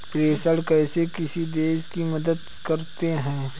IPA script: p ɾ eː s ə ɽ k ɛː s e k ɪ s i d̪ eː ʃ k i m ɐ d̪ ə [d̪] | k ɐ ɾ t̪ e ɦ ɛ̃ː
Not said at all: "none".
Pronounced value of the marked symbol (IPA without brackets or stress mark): d̪